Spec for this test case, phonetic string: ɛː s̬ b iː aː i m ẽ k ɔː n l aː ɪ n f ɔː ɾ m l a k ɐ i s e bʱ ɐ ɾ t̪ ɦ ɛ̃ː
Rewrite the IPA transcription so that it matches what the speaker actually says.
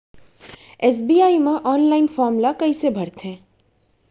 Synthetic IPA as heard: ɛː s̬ b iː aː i m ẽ ʔ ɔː n l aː ɪ n f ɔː ɾ m l a k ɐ i s e bʱ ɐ ɾ t̪ ɦ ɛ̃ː